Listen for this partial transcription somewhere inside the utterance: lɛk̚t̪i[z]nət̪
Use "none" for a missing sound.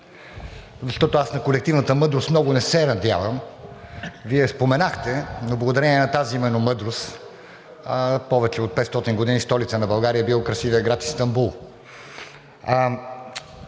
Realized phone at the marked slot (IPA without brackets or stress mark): v